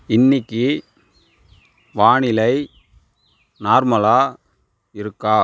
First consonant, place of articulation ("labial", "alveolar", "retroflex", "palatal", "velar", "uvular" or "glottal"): alveolar